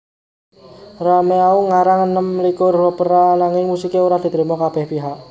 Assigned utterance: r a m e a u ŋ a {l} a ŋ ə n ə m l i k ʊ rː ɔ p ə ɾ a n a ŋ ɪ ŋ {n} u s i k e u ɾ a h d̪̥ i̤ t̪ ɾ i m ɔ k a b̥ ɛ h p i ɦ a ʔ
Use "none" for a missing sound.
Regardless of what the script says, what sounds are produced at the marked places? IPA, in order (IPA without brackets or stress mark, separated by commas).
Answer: ɾ, m